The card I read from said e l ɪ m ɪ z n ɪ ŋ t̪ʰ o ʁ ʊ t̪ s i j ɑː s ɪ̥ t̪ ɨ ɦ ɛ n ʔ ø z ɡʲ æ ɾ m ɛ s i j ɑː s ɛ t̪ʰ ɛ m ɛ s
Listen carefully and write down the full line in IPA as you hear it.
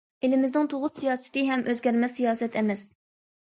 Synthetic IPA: e l ɪ m ɪ z n ɪ ŋ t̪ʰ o ʁ ʊ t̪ s i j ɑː s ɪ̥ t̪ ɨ ɦ ɛ m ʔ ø z ɡʲ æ ɾ m ɛ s i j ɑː s ɛ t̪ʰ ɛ m ɛ s